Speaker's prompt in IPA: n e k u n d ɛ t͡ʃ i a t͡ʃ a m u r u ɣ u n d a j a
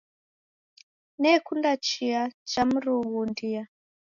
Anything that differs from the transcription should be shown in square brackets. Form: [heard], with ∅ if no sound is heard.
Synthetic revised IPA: n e k u n d [a] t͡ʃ i a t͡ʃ a m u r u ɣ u n d [i] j a